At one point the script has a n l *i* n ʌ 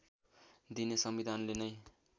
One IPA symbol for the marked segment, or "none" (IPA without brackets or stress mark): e